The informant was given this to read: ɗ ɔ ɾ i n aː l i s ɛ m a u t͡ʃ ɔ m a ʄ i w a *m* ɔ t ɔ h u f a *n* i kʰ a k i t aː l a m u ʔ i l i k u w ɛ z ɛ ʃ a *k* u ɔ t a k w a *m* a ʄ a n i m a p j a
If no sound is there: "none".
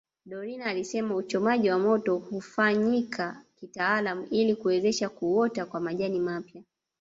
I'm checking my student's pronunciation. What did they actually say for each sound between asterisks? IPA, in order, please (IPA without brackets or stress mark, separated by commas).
m, ɲ, k, m